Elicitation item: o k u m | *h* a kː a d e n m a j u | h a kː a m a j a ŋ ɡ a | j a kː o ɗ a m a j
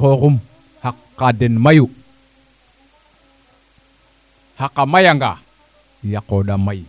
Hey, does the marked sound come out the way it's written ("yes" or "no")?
yes